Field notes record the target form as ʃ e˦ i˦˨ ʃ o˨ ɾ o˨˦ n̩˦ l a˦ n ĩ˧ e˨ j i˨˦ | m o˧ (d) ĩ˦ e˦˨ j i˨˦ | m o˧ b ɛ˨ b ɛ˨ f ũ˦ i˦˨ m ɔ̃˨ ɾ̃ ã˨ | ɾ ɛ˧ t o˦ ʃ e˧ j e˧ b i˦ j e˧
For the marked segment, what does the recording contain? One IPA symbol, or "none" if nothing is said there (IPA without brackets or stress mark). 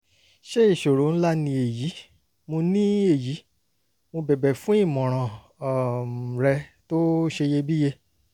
n